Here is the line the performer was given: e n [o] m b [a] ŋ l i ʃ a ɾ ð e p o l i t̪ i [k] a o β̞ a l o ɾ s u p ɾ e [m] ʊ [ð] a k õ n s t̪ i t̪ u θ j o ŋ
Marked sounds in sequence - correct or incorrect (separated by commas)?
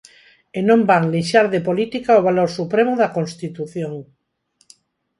incorrect, correct, correct, correct, correct